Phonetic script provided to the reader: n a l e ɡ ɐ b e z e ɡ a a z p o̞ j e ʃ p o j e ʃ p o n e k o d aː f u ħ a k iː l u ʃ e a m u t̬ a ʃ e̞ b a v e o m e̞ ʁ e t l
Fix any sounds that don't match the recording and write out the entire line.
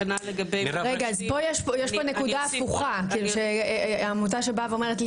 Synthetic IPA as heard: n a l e ɡ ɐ b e ʁ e ɡ a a z p o̞ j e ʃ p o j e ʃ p o n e k u d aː f u χ a k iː l u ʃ e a m u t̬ a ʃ e̞ b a v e o m e̞ ʁ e t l